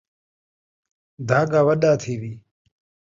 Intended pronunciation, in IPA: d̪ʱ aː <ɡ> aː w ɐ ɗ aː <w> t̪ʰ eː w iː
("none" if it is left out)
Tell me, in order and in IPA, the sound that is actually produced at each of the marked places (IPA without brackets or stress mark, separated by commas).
ɡ, none